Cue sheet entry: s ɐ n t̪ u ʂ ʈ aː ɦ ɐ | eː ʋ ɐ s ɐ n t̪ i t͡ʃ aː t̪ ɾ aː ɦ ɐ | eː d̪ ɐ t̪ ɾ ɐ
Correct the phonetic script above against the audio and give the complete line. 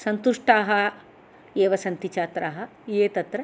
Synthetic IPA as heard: s ɐ n t̪ u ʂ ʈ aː ɦ ɐ | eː ʋ ɐ s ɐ n t̪ i t͡ʃ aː t̪ ɾ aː ɦ ɐ | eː t̪ ɐ t̪ ɾ ɐ